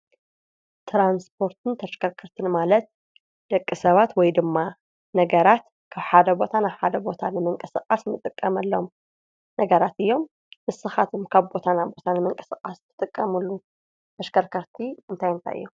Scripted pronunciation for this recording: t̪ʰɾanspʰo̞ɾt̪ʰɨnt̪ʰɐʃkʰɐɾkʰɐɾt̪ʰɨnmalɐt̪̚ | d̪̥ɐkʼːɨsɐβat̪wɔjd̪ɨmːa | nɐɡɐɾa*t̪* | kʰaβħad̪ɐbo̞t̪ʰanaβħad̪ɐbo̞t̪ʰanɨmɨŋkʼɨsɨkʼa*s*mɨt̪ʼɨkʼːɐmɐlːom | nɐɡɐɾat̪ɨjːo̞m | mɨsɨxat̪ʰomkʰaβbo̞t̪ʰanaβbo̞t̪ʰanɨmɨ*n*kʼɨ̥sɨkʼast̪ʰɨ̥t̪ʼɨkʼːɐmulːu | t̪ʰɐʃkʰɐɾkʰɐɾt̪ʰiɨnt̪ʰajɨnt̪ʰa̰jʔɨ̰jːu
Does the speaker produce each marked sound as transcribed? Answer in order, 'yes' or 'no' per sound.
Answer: yes, yes, no

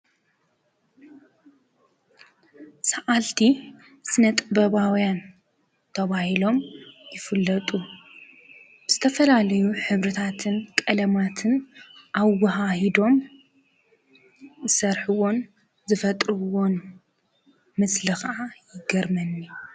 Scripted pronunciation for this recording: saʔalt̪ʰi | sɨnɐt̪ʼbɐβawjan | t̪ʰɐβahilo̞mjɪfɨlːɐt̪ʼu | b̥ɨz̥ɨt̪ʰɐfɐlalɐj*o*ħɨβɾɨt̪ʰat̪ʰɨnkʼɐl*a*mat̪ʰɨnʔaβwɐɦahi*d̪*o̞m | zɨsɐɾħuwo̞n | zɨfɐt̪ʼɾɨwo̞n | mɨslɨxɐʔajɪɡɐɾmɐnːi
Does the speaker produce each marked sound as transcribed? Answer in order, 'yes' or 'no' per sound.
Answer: no, no, yes

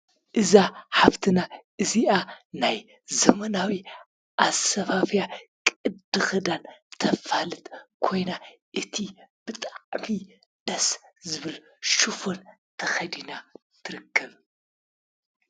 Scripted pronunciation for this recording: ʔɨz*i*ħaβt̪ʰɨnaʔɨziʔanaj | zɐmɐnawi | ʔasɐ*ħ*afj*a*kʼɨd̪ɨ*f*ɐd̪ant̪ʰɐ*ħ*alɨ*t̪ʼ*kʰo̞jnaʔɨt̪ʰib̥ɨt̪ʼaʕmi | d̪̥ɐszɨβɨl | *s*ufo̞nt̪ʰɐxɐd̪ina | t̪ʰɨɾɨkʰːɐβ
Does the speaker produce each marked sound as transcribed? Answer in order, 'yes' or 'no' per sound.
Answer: no, no, yes, no, no, no, no

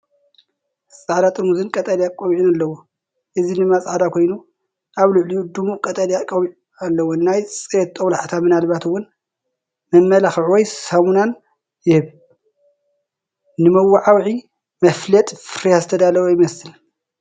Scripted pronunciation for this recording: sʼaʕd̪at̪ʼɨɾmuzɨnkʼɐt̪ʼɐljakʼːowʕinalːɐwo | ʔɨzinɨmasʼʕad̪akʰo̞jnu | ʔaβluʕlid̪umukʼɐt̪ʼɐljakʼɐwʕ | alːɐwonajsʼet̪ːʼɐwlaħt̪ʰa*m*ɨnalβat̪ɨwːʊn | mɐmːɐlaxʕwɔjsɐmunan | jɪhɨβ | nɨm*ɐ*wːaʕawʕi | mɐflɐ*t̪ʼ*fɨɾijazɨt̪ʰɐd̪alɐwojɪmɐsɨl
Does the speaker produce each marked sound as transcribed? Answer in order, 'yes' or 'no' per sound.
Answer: yes, yes, yes

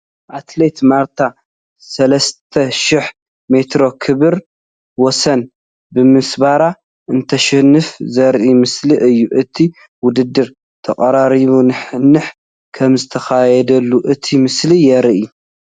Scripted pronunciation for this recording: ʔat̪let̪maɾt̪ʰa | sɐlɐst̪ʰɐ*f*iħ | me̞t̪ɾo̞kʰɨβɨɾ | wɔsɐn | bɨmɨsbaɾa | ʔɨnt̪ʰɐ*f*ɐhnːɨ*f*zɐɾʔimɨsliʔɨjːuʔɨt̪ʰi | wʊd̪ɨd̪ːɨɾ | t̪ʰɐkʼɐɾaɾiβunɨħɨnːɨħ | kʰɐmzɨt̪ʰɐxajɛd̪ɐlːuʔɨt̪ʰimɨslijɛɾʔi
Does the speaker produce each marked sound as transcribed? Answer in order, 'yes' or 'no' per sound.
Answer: no, no, yes

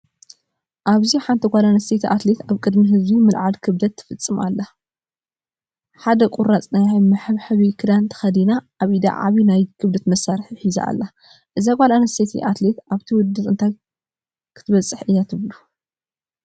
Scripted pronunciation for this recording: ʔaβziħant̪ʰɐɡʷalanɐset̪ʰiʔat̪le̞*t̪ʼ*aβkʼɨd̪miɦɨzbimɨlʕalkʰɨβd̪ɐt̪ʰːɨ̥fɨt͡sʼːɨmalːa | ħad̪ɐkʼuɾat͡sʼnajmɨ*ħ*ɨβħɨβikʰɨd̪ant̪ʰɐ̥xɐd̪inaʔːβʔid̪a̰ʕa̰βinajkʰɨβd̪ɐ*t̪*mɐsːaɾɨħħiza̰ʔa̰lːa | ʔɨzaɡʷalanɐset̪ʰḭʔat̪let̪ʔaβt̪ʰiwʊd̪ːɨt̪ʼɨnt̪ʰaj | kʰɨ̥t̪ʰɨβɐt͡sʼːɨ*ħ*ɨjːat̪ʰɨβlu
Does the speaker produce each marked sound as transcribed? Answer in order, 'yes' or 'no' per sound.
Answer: no, yes, yes, yes

